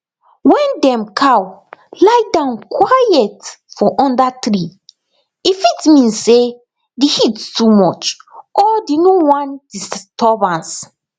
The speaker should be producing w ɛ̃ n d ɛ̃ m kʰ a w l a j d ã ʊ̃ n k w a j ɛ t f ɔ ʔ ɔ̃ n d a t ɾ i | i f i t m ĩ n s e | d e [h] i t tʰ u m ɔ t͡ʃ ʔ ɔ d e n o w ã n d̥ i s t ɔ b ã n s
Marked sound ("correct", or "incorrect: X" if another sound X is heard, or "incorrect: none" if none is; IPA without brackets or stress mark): correct